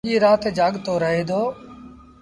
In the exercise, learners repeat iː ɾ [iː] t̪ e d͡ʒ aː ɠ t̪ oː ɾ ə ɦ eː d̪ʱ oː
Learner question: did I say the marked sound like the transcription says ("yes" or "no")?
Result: no